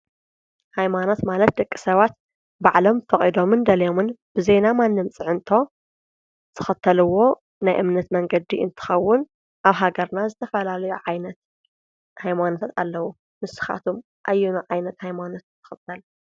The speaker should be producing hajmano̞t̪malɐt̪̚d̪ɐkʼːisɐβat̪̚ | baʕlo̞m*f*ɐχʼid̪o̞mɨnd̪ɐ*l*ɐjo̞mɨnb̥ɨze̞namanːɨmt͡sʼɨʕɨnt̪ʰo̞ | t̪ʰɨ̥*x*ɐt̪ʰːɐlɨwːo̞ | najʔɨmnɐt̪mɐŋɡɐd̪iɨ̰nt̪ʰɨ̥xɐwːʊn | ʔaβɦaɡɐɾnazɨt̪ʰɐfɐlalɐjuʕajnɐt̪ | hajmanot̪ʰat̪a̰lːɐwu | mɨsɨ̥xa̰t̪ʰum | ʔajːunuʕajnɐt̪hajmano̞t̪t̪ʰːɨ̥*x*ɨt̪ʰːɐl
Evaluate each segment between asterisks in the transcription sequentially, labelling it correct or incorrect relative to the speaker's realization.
correct, correct, correct, correct

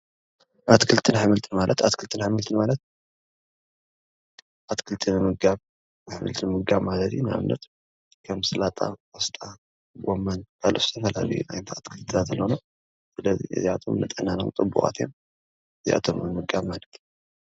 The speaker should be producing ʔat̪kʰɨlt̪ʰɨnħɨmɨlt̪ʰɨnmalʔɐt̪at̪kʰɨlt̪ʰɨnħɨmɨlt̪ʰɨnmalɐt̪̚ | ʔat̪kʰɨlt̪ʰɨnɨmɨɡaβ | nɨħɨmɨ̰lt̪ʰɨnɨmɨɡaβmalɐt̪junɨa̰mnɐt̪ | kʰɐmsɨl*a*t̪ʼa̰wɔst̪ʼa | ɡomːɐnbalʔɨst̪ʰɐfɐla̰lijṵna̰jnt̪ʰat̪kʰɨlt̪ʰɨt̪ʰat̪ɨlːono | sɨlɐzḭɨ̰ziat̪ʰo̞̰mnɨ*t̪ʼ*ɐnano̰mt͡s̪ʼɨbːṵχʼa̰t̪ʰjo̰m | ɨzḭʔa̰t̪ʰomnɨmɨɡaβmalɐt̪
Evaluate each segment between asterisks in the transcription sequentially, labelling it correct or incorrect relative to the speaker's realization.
correct, correct

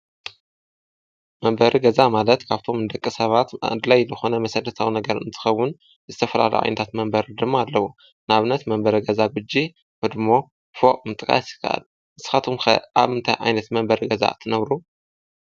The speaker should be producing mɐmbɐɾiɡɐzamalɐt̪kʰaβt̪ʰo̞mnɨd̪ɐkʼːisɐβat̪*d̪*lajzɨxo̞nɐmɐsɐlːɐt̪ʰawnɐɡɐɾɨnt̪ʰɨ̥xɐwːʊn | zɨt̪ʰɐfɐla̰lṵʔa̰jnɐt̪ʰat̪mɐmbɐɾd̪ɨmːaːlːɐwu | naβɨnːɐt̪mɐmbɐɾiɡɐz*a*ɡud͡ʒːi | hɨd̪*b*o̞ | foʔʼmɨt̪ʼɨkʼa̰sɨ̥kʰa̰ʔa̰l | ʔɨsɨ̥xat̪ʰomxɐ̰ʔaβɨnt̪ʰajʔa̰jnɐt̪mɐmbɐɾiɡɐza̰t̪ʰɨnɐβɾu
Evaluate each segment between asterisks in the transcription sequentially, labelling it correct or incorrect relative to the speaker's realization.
correct, correct, incorrect: m

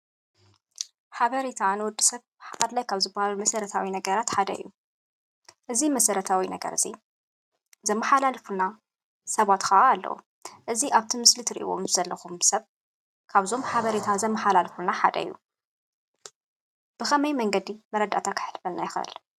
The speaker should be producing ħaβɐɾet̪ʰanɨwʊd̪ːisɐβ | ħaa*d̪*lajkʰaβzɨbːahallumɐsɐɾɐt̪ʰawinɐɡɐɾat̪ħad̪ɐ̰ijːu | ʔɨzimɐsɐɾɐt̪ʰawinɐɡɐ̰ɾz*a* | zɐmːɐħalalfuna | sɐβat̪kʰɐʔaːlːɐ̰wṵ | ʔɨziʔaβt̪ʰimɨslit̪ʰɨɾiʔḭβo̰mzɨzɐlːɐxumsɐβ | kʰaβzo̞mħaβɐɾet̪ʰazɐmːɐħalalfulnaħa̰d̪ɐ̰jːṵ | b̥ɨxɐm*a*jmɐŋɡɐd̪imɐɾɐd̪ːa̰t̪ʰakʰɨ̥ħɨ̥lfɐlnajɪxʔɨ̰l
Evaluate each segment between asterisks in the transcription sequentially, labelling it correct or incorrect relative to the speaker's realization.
correct, incorrect: i, incorrect: ɐ

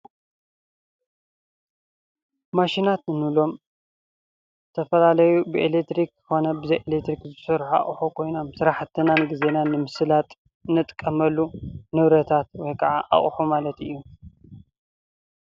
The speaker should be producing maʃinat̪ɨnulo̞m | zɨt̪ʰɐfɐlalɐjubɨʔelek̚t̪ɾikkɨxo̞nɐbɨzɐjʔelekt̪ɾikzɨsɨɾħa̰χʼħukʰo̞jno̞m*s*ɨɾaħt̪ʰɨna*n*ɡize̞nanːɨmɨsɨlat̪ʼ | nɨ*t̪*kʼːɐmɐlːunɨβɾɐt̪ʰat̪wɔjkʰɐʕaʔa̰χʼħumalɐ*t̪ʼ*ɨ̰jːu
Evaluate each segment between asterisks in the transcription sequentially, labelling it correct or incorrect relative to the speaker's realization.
correct, correct, incorrect: t̪ʼ, incorrect: t̪

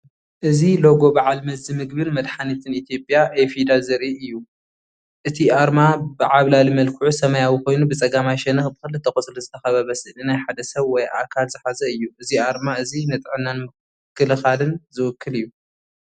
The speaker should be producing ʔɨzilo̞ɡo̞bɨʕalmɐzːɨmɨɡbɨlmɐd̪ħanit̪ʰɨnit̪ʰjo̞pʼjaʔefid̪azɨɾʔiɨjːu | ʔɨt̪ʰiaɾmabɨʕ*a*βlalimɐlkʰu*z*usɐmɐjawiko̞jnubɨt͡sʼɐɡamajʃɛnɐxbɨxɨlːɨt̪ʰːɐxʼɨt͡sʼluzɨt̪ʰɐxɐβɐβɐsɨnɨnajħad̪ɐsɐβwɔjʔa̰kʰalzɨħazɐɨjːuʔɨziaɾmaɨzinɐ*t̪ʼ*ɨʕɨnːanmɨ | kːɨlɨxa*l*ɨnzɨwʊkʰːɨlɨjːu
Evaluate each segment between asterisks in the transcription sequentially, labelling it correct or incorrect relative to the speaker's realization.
correct, incorrect: ʕ, correct, correct

